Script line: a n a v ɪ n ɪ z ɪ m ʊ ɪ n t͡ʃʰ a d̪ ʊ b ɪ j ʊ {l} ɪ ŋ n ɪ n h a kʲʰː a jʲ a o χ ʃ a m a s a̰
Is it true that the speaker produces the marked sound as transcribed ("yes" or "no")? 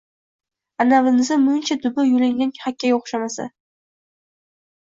yes